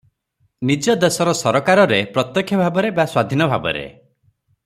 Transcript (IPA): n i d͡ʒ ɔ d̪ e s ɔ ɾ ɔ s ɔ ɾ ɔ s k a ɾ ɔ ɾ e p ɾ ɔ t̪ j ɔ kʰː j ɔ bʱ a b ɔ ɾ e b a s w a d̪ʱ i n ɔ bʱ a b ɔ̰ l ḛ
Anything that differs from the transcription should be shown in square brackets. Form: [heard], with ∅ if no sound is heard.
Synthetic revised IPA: n i d͡ʒ ɔ d̪ e s ɔ ɾ ɔ s ɔ ɾ ɔ [∅] k a ɾ ɔ ɾ e p ɾ ɔ t̪ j ɔ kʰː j ɔ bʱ a b ɔ ɾ e b a s w a d̪ʱ i n ɔ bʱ a b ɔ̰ [ɾ] ḛ